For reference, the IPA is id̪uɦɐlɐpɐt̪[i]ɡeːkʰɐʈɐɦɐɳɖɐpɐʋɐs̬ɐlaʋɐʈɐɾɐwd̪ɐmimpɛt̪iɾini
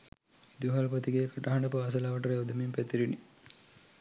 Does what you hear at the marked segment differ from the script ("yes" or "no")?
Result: no